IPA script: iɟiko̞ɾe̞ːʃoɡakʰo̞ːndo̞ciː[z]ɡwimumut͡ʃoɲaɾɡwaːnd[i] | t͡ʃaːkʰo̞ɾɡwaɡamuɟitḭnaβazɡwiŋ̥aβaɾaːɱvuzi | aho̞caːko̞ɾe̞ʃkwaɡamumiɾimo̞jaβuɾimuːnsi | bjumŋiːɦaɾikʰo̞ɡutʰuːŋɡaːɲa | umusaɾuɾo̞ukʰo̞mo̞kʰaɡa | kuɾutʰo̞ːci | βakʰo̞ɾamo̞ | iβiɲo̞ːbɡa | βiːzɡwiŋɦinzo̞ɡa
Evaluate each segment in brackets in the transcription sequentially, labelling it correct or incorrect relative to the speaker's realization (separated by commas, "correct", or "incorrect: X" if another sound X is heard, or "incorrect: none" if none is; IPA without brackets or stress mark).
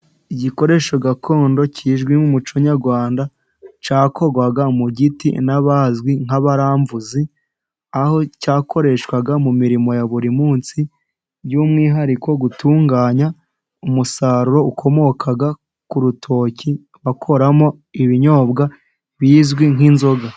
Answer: incorrect: ʒ, incorrect: a